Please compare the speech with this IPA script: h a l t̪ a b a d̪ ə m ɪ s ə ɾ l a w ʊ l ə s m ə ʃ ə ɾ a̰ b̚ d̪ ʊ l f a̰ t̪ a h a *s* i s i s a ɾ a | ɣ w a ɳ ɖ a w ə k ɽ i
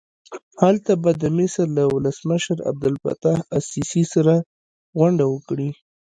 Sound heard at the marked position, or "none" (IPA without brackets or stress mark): s